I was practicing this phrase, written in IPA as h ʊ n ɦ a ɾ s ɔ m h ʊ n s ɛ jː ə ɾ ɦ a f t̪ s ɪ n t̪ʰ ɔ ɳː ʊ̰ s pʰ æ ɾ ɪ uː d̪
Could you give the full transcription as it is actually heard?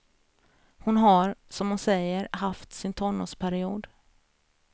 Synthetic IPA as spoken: h ʊ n ɦ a ɾ s ɔ m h ʊ n s ɛ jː ə ɾ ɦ a f t̪ s ɪ n t̪ʰ ɔ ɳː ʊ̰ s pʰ æ ɾ ɪ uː d̪